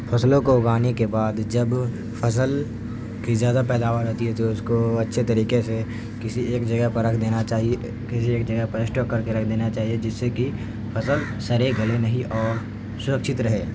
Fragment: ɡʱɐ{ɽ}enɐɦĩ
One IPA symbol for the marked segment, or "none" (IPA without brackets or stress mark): l